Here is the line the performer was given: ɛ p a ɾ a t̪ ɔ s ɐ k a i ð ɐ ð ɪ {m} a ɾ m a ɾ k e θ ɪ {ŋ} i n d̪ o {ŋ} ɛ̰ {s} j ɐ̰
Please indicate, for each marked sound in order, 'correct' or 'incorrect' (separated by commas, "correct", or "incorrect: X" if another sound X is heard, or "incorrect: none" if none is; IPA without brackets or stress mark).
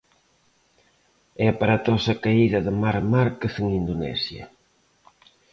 correct, correct, incorrect: n, correct